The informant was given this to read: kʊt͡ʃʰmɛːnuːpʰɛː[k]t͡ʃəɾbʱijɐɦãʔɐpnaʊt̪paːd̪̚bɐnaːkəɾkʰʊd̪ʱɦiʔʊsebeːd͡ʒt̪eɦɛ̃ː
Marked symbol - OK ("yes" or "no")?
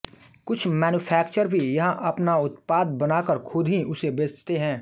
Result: yes